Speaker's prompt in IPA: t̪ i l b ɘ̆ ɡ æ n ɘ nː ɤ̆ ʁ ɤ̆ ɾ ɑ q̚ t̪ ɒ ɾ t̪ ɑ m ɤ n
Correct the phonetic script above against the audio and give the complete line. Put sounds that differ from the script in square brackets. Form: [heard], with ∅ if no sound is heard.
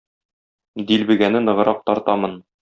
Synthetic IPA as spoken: [d̪] i l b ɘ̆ ɡ æ n ɘ [n] ɤ̆ ʁ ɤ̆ ɾ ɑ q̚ t̪ ɒ ɾ t̪ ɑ m ɤ n